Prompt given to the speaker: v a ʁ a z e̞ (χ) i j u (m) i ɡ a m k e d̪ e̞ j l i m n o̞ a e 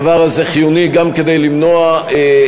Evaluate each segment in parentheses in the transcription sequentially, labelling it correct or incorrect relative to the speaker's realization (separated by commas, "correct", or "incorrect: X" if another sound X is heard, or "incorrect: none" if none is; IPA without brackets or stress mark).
correct, incorrect: n